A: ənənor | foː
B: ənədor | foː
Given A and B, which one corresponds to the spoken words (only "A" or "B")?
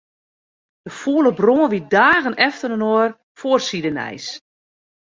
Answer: A